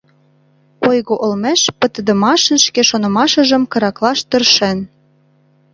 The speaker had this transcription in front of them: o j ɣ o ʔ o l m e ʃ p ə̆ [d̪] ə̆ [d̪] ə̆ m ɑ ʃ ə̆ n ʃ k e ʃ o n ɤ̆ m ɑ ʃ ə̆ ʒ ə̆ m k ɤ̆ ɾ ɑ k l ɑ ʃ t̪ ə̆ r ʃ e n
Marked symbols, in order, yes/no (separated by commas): no, yes